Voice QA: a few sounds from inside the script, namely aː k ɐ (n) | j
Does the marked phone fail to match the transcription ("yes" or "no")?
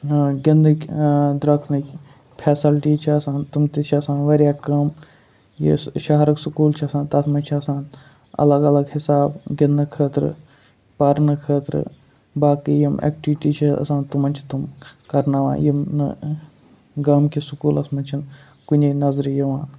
yes